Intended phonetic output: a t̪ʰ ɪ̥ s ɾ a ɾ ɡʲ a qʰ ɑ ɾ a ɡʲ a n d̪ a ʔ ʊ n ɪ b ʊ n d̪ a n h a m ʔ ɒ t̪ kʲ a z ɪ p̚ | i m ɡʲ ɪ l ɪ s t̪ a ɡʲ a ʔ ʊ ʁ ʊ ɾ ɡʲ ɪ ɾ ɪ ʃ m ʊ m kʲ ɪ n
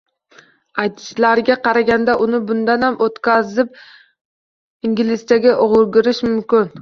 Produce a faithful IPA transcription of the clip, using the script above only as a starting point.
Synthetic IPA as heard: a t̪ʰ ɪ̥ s l a ɾ ɡʲ a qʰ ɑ ɾ a ɡʲ a n d̪ a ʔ ʊ n ɪ b ʊ n d̪ a n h a m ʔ o t̪ kʲ a z ɪ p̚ | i ŋ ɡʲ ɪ l ɪ s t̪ a ɡʲ a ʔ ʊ ʁ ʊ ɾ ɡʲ ɪ ɾ ɪ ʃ m ʊ m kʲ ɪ n